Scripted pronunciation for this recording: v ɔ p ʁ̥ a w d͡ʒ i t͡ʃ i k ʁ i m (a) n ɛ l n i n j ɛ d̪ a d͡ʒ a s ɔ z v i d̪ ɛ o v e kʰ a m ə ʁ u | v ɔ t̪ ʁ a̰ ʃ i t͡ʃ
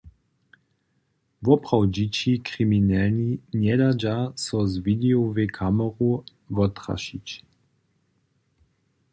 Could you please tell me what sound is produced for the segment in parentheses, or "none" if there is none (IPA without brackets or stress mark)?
i